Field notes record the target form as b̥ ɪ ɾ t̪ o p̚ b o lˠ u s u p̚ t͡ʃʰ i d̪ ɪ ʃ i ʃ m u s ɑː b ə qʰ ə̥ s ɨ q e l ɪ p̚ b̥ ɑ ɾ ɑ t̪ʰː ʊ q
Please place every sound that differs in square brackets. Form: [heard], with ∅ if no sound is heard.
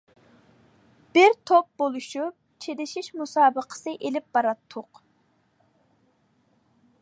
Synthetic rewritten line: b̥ ɪ ɾ [t̪ʰ] o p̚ b o lˠ u [ʃ] u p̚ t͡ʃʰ [e] d̪ ɪ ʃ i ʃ m u s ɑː b ə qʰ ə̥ s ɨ [ʔ] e l ɪ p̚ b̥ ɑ ɾ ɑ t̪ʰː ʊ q